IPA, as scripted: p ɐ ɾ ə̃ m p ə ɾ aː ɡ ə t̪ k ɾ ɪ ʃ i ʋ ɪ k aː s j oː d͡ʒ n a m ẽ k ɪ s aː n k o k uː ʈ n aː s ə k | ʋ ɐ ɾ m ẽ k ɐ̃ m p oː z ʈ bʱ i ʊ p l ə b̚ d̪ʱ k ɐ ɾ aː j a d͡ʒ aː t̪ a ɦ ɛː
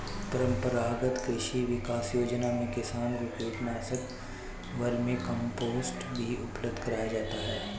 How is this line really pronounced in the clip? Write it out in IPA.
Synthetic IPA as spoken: p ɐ ɾ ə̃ m p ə ɾ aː ɡ ə t̪ k ɾ ɪ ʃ i ʋ ɪ k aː s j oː d͡ʒ n a m ẽ k ɪ s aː n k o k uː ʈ n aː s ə k | ʋ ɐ ɾ m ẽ k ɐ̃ m p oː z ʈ bʱ i ʊ p l ə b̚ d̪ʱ k ɐ ɾ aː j a d͡ʒ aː t̪ a ɦ ɛː